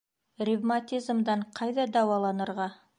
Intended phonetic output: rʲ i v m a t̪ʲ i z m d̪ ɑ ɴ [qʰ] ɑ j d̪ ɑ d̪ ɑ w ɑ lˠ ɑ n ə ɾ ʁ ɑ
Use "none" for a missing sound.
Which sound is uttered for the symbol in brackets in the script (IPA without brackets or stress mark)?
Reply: qʰ